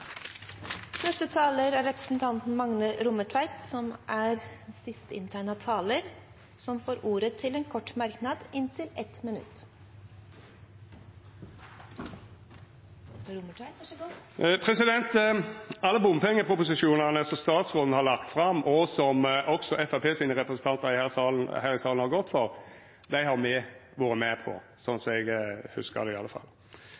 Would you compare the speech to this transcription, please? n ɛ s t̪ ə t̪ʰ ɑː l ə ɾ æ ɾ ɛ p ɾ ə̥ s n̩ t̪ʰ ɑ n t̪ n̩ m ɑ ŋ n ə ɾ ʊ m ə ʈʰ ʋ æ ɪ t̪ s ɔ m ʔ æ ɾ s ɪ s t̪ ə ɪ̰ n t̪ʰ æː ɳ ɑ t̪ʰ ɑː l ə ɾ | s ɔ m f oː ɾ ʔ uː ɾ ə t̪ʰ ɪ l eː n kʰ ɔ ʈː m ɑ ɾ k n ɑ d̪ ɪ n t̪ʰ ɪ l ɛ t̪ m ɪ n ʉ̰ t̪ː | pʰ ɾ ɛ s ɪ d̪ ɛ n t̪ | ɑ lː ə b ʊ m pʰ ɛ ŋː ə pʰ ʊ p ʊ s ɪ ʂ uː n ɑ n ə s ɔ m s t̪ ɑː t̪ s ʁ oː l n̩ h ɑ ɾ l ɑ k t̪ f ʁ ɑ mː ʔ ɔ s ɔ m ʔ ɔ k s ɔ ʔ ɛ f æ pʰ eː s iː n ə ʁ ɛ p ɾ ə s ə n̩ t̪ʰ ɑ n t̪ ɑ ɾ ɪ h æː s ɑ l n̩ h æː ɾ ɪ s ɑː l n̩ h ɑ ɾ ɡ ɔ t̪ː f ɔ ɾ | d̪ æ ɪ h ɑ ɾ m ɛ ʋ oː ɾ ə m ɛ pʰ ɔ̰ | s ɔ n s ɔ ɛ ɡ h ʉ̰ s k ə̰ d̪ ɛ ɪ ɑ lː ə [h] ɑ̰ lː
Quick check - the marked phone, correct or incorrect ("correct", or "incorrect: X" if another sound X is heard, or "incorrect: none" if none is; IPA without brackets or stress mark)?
incorrect: f